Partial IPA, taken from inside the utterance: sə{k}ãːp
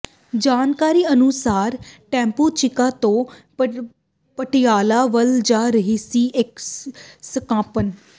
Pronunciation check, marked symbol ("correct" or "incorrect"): correct